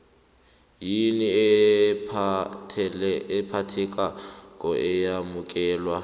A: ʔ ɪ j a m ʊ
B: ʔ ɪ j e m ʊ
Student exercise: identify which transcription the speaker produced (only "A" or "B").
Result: A